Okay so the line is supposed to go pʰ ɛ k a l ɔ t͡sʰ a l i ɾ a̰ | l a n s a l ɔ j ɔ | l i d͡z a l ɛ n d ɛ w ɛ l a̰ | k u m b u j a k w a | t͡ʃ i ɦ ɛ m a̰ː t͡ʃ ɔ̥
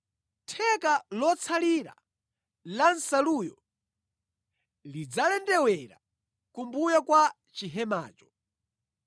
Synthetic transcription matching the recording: tʰ ɛ k a l ɔ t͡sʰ a l i ɾ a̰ | l a n s a l u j ɔ | l i d͡z a l ɛ n d ɛ w ɛ ɾ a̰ | k u m b u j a k w a | t͡ʃ i ɦ ɛ m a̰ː t͡ʃ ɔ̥